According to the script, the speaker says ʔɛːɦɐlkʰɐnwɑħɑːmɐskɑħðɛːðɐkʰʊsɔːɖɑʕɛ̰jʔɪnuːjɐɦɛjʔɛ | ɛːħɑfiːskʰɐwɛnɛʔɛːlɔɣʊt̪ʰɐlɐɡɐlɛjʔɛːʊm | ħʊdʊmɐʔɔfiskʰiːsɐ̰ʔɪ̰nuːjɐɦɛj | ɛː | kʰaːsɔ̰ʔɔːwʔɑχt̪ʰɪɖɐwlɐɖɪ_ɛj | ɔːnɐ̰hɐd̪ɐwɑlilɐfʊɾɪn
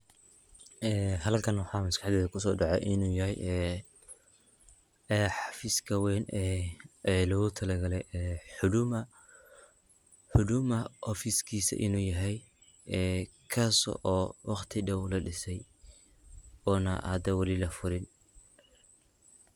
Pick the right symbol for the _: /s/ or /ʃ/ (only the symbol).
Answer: s